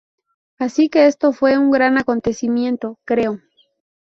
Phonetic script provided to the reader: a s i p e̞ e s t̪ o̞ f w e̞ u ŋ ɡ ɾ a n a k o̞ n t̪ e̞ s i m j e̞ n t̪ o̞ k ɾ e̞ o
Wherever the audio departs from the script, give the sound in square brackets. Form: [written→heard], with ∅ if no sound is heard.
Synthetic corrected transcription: a s i [p→k] e̞ e s t̪ o̞ f w e̞ u ŋ ɡ ɾ a n a k o̞ n t̪ e̞ s i m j e̞ n t̪ o̞ k ɾ e̞ o